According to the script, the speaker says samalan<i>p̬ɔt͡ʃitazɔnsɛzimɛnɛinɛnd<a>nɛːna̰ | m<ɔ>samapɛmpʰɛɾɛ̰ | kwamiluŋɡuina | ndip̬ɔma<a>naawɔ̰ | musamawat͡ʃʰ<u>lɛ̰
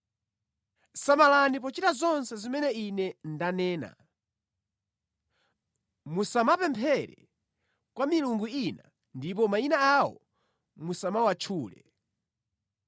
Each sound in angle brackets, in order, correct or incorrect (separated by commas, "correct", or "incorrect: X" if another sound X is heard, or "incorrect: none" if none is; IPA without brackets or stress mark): correct, correct, incorrect: u, incorrect: i, incorrect: uː